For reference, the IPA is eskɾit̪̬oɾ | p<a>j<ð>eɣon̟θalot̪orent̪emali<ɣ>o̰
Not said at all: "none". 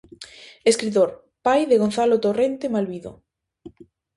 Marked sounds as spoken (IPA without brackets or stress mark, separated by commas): a, ð, ð